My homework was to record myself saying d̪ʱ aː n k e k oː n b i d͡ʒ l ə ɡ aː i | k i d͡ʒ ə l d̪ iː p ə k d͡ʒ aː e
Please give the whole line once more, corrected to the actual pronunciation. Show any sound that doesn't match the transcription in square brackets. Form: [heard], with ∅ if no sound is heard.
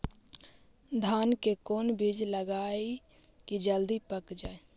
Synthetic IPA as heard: d̪ʱ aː n k e k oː n b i d͡ʒ l ə ɡ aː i | k i d͡ʒ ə l d̪ [i] p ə k d͡ʒ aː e